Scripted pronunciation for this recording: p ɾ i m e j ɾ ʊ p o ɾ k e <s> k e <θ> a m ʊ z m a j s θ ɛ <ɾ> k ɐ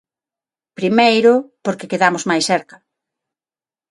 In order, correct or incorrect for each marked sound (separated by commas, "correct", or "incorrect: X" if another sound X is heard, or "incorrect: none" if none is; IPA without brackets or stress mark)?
incorrect: none, incorrect: ð, correct